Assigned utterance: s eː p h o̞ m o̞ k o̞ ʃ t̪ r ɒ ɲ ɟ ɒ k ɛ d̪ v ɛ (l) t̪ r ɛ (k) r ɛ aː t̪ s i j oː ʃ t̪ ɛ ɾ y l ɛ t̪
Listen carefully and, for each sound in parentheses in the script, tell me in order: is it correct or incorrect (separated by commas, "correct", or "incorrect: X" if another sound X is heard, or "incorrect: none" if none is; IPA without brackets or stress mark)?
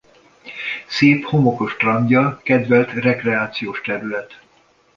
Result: correct, correct